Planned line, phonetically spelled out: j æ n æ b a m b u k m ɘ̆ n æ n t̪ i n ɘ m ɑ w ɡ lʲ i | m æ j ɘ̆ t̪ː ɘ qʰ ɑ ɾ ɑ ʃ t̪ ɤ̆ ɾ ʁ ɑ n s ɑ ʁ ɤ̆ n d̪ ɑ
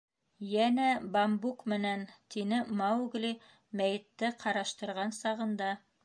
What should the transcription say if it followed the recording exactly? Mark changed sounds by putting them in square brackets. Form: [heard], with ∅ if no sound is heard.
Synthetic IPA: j æ n æ b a m b u k m ɘ̆ n æ n t̪ i n ɘ m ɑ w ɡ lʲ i | m æ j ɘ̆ t̪ː ɘ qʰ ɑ ɾ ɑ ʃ t̪ ɤ̆ ɾ ʁ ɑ n s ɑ ʁ ɤ̆ n d̪ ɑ